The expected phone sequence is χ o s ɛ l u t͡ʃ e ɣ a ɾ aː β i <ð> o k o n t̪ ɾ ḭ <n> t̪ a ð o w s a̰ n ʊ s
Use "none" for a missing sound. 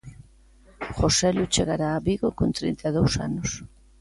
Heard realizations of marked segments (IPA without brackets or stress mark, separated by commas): ɣ, n